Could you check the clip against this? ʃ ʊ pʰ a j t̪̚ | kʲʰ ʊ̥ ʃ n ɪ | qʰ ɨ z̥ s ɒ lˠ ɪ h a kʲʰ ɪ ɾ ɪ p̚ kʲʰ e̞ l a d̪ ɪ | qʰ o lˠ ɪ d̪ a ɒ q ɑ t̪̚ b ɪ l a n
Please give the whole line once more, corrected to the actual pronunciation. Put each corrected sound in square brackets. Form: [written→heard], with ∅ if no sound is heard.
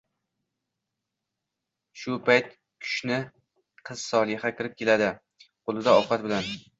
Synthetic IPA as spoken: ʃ ʊ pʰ a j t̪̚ | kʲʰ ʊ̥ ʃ n ɪ | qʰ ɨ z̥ s ɒ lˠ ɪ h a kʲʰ ɪ ɾ ɪ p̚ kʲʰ e̞ l a d̪ ɪ | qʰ o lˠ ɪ d̪ a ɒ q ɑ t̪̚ b ɪ l a n